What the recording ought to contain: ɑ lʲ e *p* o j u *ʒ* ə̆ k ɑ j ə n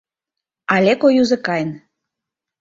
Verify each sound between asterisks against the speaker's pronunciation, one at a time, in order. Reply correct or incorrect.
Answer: incorrect: k, incorrect: z

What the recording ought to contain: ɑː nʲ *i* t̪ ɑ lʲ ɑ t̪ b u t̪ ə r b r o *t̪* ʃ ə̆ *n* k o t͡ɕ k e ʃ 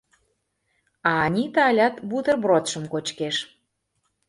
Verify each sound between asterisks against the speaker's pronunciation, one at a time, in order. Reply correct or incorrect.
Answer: correct, correct, incorrect: m

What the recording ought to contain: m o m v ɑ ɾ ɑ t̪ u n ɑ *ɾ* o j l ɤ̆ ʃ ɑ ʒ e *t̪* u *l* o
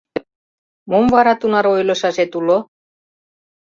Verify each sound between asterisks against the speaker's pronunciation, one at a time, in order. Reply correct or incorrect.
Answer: correct, correct, correct

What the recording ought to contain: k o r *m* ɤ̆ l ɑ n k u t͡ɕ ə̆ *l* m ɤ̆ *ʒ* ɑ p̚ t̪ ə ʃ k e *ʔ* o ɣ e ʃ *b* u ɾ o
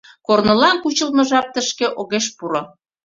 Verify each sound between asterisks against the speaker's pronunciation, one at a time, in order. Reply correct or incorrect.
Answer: incorrect: n, correct, correct, correct, incorrect: p

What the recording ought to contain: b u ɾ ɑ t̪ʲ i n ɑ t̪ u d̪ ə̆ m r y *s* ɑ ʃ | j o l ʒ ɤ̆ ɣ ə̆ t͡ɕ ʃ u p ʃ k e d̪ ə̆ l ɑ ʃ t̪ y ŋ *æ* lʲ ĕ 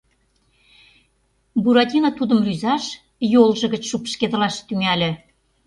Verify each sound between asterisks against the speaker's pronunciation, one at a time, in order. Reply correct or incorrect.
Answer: incorrect: z, correct

